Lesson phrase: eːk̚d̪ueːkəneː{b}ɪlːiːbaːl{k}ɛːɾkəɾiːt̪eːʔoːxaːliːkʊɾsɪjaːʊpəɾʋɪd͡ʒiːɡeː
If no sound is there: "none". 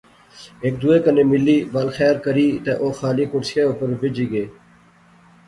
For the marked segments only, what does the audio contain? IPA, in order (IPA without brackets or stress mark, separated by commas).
m, x